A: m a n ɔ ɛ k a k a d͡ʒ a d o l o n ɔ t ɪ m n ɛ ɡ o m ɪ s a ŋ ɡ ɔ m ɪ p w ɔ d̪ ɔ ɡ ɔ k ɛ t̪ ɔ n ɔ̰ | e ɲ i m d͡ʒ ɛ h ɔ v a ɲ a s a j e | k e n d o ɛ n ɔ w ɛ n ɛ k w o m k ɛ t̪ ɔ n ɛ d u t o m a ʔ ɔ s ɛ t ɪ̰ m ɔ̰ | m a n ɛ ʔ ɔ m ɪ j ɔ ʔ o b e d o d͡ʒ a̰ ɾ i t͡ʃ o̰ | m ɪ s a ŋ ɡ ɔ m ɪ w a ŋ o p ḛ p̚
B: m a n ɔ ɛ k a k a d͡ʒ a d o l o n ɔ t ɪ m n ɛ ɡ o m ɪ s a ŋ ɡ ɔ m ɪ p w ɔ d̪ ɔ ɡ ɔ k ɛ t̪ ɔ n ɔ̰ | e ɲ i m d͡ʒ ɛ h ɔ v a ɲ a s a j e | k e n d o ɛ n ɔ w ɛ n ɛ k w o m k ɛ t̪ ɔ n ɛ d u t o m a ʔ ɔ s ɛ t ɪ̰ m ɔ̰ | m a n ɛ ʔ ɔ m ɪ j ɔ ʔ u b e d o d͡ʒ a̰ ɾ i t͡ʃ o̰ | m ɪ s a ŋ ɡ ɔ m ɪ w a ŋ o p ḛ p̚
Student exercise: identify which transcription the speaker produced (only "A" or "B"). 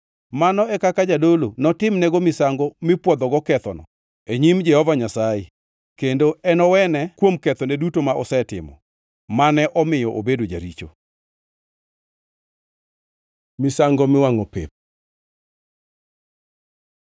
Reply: A